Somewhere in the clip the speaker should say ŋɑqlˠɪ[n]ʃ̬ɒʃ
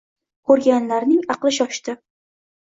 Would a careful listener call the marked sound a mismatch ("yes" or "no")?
yes